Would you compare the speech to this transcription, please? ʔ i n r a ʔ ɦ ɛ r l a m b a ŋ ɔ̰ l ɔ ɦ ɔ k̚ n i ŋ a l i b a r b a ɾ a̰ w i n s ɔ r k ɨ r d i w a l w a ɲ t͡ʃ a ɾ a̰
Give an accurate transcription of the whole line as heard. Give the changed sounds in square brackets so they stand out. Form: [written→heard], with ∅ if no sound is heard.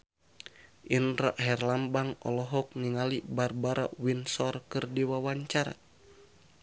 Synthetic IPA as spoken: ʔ i n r a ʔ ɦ ɛ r l a m b a ŋ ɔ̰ l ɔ ɦ ɔ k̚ n i ŋ a l i b a r b a ɾ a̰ w i n s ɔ r k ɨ r d i w a [l→∅] w a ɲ t͡ʃ a ɾ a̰

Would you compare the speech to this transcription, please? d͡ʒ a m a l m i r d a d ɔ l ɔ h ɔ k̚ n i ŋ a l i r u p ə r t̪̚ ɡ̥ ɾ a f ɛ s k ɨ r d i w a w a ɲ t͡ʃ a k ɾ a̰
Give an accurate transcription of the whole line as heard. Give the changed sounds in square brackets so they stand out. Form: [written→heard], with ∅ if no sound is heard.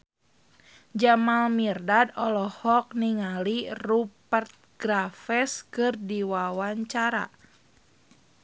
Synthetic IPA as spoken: d͡ʒ a m a l m i r d a d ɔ l ɔ h ɔ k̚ n i ŋ a l i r u p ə r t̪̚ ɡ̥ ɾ a f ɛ s k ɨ r d i w a w a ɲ t͡ʃ a [k→∅] ɾ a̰

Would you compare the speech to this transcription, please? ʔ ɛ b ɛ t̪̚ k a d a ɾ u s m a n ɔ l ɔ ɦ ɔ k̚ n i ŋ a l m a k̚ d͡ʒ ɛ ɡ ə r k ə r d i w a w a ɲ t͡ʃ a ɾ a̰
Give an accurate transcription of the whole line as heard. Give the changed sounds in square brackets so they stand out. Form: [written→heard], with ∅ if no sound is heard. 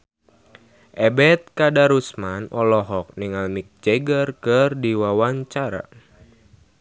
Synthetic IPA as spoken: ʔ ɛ b ɛ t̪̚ k a d a ɾ u s m a n ɔ l ɔ ɦ ɔ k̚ n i ŋ a l m [a→i] k̚ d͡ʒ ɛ ɡ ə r k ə r d i w a w a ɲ t͡ʃ a ɾ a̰

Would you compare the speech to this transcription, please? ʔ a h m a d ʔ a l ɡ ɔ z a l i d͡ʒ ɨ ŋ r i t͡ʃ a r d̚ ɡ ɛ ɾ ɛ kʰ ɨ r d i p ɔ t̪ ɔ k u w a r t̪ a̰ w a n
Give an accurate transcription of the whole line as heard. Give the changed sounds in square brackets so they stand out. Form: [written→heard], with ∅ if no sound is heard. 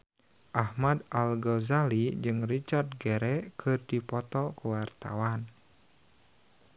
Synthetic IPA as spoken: ʔ a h m a d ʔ a l ɡ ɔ z a l i d͡ʒ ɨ ŋ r i t͡ʃ a r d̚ ɡ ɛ ɾ ɛ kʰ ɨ r d i p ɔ t̪ ɔ k u w a r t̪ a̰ w a n

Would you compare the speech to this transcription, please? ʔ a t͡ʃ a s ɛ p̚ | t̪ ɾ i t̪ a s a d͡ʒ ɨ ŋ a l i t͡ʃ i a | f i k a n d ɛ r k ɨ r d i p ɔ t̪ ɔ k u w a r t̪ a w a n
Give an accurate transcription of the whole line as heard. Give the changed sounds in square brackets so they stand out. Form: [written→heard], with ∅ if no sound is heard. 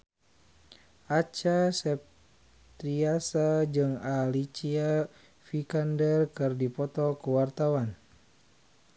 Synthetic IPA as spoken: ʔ a t͡ʃ a s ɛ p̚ | t̪ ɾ i [t̪→∅] a s a d͡ʒ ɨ ŋ a l i t͡ʃ i a | f i k a n d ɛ r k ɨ r d i p ɔ t̪ ɔ k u w a r t̪ a w a n

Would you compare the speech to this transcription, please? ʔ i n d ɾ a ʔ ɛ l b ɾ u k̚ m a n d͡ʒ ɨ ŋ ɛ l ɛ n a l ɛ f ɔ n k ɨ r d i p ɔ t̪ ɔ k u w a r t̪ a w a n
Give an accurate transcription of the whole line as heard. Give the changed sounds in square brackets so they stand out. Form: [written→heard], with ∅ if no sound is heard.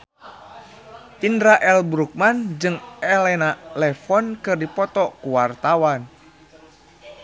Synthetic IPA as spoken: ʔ i n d ɾ a ʔ ɛ l b ɾ u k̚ m a n d͡ʒ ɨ ŋ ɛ l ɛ n a l ɛ f ɔ n k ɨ r d i p ɔ t̪ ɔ k u w a r t̪ a w a n

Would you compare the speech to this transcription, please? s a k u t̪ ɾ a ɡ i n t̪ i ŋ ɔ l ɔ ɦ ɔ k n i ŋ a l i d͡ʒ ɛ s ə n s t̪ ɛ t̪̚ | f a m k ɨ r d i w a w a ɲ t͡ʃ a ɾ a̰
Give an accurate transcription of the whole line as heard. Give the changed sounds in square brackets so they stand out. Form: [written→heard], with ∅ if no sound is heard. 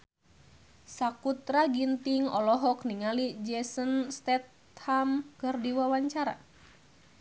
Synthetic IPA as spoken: s a k u t̪ ɾ a ɡ i n t̪ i ŋ ɔ l ɔ ɦ ɔ k n i ŋ a l i d͡ʒ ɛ s ə n s t̪ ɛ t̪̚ | [f→h] a m k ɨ r d i w a w a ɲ t͡ʃ a ɾ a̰

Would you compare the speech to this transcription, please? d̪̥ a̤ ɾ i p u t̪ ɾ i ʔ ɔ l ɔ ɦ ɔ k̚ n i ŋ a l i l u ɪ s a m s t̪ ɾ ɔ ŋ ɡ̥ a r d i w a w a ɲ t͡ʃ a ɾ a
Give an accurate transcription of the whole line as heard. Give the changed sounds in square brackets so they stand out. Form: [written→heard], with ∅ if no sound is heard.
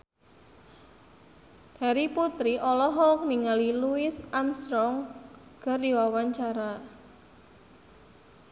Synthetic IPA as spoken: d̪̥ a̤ ɾ i p u t̪ ɾ i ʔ ɔ l ɔ ɦ ɔ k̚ n i ŋ a l i l u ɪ s a m s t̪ ɾ ɔ ŋ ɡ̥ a r d i w a w a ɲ t͡ʃ a ɾ a

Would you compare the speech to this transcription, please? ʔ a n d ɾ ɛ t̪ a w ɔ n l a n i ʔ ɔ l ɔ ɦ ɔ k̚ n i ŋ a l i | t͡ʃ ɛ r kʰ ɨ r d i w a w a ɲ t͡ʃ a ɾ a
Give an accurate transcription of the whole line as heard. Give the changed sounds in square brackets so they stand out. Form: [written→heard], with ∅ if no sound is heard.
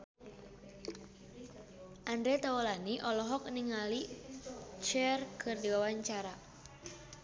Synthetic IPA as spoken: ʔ a n d ɾ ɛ t̪ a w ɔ [n→∅] l a n i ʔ ɔ l ɔ ɦ ɔ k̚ n i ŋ a l i | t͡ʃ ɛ r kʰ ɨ r d i w a w a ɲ t͡ʃ a ɾ a

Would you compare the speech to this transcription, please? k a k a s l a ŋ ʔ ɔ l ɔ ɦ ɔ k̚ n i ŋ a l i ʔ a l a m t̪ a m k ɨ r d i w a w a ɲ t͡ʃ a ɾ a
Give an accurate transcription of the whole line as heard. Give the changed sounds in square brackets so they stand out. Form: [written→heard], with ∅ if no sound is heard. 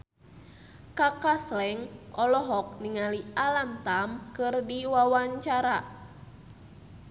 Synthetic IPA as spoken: k a k a s l [a→ɛ] ŋ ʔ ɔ l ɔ ɦ ɔ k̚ n i ŋ a l i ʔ a l a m t̪ a m k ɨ r d i w a w a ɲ t͡ʃ a ɾ a

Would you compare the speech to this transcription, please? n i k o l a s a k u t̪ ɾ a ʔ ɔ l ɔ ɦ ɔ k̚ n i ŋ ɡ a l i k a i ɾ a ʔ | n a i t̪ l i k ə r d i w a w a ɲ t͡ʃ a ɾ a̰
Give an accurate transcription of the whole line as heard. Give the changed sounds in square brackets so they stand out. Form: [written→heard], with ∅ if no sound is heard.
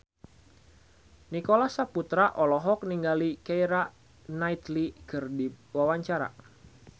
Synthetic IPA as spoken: n i k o l a s a [k→p] u t̪ ɾ a ʔ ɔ l ɔ ɦ ɔ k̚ n i ŋ ɡ a l i k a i ɾ a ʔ | n a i t̪ l i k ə r d i w a w a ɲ t͡ʃ a ɾ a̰

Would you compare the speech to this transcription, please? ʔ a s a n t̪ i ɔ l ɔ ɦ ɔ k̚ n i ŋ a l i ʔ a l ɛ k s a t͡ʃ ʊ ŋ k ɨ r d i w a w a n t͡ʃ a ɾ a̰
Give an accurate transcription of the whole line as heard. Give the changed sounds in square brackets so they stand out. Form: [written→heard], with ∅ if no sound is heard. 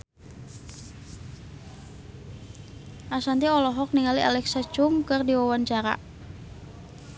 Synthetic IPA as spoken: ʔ a s a n t̪ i ɔ l ɔ ɦ ɔ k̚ n i ŋ a l i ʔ a l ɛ k s a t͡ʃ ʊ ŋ k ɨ r d i w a w a n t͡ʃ a ɾ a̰

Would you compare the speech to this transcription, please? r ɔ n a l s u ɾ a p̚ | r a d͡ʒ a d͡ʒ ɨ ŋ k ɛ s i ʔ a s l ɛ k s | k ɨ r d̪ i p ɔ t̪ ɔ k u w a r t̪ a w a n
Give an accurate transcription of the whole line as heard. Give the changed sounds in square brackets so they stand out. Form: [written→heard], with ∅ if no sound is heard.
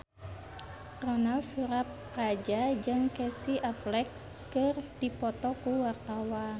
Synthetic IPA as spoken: r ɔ n a l s u ɾ a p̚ | r a d͡ʒ a d͡ʒ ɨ ŋ k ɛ s i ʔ a [s→f] l ɛ k s | k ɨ r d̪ i p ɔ t̪ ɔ k u w a r t̪ a w a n

